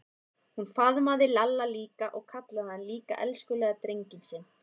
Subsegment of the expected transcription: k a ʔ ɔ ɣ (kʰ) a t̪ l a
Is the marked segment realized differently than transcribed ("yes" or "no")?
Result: no